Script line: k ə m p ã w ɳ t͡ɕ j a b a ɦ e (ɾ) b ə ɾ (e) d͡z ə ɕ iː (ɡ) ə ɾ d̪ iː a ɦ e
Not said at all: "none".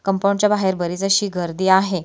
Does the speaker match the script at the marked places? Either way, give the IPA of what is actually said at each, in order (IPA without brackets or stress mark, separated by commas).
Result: ɾ, i, ɡ